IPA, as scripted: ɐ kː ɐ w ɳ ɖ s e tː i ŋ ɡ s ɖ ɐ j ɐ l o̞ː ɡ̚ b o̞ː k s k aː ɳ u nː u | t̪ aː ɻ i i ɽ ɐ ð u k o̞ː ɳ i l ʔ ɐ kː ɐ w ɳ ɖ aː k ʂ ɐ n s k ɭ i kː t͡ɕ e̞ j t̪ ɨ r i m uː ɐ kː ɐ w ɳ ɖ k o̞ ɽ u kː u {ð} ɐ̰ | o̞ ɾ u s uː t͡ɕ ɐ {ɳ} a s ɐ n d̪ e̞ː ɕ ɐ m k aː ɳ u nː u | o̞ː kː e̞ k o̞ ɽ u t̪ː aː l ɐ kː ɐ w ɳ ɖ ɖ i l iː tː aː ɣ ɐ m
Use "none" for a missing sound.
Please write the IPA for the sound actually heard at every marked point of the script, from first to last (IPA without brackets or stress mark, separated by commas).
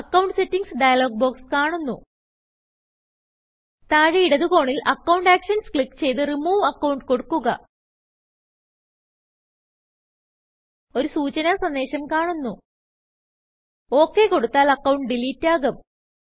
ɣ, n